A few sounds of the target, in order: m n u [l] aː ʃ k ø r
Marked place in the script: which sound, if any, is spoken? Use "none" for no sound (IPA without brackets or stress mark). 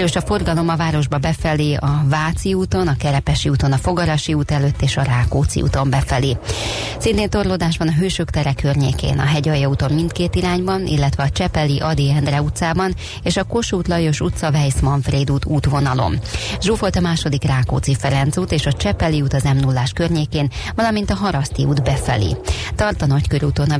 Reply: lː